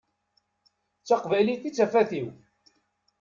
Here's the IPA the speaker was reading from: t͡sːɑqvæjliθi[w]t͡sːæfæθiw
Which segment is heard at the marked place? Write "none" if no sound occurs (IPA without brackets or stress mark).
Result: none